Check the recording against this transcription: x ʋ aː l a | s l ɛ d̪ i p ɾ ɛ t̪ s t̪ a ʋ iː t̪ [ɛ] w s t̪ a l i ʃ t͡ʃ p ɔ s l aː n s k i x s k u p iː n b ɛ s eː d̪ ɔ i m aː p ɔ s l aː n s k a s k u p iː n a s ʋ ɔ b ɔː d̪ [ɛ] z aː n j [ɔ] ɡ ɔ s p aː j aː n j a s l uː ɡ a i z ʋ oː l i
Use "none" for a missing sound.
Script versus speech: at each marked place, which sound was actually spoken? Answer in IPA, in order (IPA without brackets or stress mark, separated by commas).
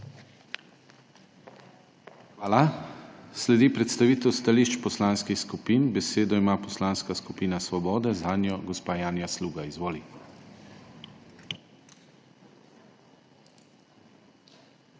ɛ, ɛ, ɔ